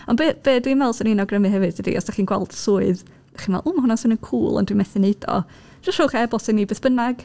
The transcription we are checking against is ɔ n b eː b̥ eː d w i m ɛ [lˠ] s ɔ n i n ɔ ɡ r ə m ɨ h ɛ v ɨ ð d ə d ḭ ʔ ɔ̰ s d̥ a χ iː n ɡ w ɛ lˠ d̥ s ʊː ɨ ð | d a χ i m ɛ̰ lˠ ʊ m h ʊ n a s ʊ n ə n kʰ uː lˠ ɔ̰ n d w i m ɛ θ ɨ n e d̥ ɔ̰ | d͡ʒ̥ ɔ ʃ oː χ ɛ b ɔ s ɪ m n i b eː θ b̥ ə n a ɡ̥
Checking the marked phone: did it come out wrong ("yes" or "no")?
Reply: no